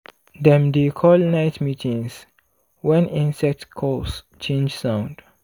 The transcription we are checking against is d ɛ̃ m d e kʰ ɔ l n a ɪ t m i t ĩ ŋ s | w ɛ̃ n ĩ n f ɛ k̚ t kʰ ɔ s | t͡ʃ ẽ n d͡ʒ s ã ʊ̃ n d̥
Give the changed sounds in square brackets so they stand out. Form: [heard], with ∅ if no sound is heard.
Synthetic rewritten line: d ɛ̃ m d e kʰ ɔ l n a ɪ t m i t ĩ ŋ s | w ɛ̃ n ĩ n [s] ɛ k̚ t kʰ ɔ s | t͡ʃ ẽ n d͡ʒ s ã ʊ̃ n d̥